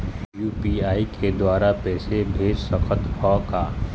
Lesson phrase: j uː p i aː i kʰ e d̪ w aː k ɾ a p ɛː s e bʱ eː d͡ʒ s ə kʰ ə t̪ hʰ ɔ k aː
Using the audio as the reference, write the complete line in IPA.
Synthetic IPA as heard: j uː p i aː i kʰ e d̪ w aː ɾ a p ɛː s e bʱ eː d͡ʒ s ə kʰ ə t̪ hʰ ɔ k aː